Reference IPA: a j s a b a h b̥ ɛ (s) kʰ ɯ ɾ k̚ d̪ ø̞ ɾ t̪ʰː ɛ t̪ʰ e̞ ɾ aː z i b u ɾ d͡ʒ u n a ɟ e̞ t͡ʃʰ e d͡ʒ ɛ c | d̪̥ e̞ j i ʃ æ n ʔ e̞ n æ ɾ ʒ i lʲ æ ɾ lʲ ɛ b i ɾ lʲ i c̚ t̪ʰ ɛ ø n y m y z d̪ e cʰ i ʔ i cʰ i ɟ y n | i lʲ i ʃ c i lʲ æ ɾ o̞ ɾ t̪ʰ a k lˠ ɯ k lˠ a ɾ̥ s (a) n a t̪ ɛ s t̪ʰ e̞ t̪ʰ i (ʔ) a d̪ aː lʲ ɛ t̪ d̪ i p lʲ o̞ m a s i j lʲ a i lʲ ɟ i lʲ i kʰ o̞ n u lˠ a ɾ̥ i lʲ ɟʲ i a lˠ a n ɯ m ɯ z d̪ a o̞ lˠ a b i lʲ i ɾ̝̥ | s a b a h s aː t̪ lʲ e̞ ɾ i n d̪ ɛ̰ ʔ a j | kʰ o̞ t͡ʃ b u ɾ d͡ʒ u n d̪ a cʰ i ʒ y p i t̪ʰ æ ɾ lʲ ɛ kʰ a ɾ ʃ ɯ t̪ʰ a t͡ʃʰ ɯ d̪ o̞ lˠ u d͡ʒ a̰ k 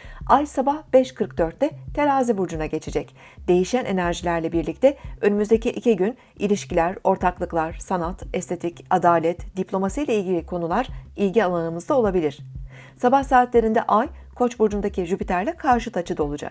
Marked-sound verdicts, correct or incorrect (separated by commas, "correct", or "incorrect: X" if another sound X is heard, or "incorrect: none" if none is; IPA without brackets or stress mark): incorrect: ʃ, correct, incorrect: c